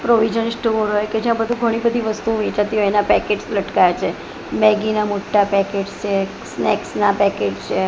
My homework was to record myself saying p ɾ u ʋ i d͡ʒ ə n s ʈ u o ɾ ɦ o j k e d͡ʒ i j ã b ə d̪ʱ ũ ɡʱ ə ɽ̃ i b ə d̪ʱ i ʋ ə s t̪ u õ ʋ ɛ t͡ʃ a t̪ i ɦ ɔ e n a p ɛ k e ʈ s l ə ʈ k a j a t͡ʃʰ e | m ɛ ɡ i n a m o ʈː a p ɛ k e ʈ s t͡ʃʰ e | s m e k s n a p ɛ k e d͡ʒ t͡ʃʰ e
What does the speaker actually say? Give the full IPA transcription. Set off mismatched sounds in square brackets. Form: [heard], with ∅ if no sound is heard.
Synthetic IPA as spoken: p ɾ [o] ʋ i d͡ʒ ə n s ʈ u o ɾ ɦ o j k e d͡ʒ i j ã b ə d̪ʱ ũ ɡʱ ə ɽ̃ i b ə d̪ʱ i ʋ ə s t̪ u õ ʋ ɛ t͡ʃ a t̪ i ɦ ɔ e n a p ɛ k e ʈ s l ə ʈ k a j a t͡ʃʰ e | m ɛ ɡ i n a m o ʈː a p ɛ k e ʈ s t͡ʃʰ e | s [n] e k s n a p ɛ k e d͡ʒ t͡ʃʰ e